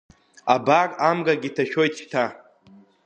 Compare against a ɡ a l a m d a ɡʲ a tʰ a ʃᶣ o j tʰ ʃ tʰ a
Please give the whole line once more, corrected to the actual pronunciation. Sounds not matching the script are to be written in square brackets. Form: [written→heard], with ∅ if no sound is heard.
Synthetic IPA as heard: a [ɡ→b] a [l→r] a m [d→ɡ] a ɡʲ [a→i] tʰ a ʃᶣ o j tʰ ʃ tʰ a